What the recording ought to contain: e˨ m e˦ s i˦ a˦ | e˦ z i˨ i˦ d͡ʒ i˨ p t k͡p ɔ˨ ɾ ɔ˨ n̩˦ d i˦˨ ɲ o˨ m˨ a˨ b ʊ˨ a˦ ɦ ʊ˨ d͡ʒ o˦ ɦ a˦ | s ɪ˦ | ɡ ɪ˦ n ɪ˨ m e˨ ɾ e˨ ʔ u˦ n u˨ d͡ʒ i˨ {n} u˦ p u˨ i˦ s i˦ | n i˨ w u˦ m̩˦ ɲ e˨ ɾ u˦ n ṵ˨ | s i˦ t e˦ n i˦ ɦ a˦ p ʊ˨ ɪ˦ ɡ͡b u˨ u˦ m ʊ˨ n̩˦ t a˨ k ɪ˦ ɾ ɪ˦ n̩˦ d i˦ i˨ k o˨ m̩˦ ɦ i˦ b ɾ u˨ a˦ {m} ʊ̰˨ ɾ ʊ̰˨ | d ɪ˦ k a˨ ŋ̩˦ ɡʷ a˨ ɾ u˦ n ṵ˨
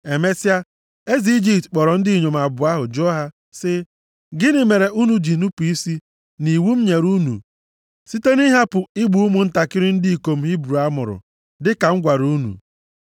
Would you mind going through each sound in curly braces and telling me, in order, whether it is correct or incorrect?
correct, correct

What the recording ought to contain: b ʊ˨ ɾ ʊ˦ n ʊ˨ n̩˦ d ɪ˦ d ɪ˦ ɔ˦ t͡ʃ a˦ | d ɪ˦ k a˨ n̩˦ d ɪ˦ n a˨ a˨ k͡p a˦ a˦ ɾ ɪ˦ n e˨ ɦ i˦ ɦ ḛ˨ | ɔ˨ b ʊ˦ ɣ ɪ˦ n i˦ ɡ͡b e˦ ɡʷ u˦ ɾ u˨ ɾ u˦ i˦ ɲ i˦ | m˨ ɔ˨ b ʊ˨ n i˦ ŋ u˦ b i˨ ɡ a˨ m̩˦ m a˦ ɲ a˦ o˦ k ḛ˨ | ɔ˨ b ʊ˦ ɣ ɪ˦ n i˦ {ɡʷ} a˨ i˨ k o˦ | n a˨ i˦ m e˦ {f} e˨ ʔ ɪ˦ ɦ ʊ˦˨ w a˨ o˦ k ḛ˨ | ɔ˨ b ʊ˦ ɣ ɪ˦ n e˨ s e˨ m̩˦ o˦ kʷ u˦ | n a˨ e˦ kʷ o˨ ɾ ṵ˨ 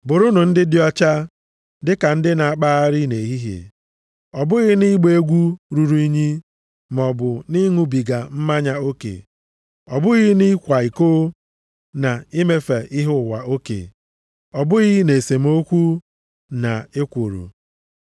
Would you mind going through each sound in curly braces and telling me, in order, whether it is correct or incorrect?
incorrect: kʷ, correct

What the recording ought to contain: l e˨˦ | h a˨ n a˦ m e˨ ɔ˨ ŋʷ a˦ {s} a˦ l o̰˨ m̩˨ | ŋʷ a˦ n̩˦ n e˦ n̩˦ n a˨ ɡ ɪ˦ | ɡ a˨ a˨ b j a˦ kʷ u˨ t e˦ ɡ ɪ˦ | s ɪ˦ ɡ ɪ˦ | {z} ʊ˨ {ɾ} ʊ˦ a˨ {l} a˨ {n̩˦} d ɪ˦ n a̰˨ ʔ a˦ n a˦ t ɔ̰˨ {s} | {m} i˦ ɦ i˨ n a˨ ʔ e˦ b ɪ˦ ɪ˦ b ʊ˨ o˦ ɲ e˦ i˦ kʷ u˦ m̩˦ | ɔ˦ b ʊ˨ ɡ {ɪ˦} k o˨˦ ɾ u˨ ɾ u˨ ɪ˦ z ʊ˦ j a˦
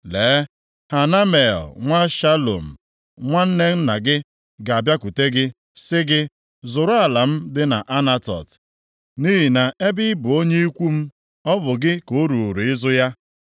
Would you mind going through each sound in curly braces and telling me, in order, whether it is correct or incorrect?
incorrect: ʃ, correct, correct, correct, incorrect: m̩˦, incorrect: t, incorrect: n, correct

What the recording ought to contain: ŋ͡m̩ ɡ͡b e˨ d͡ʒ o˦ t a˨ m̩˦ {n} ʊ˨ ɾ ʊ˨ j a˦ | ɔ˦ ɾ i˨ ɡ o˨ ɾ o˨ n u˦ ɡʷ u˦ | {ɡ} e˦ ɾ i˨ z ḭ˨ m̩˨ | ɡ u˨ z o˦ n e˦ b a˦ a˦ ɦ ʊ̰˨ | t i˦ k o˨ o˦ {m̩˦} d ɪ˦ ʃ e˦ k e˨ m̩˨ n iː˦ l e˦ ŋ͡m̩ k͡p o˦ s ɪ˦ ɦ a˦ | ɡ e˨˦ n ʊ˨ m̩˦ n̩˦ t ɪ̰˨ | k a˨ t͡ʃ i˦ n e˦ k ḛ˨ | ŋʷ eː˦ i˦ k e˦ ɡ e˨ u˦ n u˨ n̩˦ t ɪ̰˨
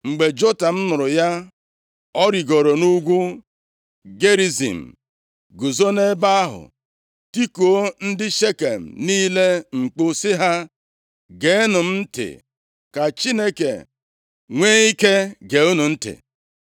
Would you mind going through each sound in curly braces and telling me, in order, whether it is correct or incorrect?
correct, correct, incorrect: n̩˦

